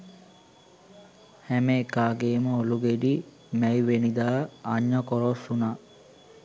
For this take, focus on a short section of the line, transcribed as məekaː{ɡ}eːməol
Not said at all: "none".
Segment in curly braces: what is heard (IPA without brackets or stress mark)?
ɡ